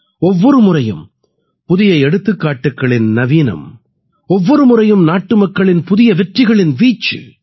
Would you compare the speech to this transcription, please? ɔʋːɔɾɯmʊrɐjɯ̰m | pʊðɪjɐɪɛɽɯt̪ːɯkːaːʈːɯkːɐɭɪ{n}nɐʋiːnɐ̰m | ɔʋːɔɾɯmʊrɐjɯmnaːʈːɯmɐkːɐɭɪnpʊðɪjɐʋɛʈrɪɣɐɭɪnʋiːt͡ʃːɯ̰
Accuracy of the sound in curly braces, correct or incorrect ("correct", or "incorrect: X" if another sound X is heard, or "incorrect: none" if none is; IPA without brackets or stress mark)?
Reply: correct